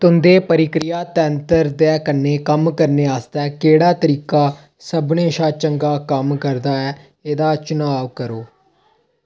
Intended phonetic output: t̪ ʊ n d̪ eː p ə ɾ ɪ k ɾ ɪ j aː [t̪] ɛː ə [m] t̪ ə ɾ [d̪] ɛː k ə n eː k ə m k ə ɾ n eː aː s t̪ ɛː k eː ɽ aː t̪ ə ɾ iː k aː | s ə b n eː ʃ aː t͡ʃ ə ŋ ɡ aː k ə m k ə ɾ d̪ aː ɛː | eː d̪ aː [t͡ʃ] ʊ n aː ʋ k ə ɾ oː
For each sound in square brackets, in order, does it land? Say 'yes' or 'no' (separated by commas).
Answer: yes, no, yes, yes